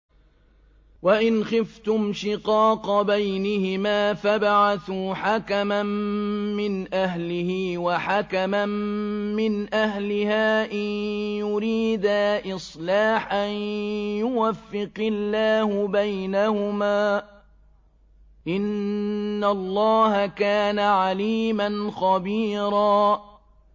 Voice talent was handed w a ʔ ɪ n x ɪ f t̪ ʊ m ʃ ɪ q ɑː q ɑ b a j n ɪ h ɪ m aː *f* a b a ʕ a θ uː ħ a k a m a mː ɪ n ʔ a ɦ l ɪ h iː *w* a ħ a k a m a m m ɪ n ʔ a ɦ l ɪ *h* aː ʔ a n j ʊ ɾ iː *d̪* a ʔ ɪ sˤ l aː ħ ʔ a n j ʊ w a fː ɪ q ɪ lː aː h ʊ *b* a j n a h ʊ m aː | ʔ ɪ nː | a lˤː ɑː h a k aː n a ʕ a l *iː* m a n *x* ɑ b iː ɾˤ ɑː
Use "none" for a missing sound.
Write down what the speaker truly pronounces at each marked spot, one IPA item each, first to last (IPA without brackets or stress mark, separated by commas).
f, w, h, d̪, b, iː, x